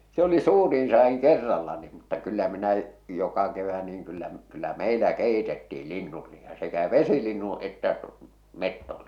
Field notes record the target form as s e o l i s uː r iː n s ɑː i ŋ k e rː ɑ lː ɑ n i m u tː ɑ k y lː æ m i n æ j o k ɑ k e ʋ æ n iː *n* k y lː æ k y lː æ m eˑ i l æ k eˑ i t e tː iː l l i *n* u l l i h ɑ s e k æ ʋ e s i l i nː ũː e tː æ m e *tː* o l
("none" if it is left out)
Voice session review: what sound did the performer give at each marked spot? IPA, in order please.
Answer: ŋ, nː, tː

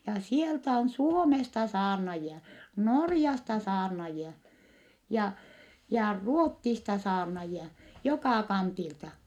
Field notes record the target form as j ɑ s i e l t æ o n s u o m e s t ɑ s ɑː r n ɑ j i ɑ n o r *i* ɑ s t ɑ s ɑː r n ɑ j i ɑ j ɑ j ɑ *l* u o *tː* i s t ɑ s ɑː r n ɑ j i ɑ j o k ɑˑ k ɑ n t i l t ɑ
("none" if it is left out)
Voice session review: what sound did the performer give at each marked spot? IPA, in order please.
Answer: j, r, tː

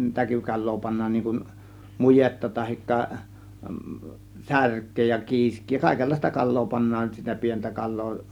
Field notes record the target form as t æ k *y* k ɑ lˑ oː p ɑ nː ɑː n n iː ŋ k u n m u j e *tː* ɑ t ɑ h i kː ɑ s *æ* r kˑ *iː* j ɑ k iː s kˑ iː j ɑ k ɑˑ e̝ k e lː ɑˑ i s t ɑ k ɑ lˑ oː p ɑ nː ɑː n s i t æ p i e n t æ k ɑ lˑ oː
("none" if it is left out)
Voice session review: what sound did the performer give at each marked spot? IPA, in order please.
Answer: y, tː, æ, eː

